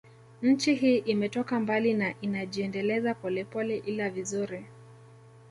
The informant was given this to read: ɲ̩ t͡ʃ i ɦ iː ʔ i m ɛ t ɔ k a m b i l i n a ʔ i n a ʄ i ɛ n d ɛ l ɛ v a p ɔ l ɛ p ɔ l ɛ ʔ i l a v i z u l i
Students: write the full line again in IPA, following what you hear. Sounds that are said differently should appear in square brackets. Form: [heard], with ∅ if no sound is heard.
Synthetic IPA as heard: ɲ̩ t͡ʃ i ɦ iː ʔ i m ɛ t ɔ k a m b [a] l i n a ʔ i n a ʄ i ɛ n d ɛ l ɛ [z] a p ɔ l ɛ p ɔ l ɛ ʔ i l a v i z u [ɾ] i